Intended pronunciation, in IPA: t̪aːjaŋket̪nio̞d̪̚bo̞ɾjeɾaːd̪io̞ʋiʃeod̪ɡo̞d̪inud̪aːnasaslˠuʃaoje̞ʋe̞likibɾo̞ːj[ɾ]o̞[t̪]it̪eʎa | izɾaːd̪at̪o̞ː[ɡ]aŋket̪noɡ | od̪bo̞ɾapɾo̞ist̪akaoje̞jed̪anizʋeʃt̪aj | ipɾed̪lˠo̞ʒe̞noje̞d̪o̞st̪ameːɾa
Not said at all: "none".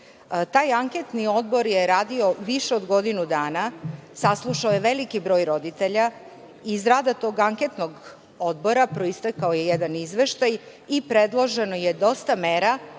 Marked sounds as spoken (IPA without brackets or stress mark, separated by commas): ɾ, d̪, ɡ